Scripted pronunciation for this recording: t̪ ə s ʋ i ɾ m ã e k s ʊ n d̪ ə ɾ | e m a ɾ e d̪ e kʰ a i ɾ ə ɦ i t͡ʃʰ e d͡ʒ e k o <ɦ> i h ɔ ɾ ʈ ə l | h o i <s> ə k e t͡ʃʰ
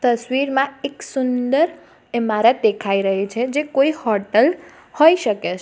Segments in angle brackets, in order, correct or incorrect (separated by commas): incorrect, incorrect